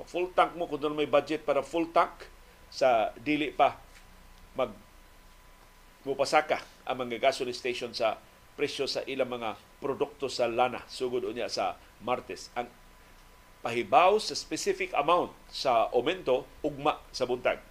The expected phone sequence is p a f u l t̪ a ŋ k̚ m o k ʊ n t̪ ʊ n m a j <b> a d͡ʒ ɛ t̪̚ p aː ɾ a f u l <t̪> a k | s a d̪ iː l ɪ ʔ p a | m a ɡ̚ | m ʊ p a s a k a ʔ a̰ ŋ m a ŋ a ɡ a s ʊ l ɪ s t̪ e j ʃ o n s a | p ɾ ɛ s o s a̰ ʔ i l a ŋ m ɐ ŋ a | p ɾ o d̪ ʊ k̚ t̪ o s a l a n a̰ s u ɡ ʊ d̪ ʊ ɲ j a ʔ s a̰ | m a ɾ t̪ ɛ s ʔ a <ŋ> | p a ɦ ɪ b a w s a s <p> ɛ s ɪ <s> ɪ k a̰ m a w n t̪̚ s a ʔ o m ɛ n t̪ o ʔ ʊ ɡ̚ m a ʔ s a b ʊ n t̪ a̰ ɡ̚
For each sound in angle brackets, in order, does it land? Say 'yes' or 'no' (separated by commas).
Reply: yes, yes, yes, yes, no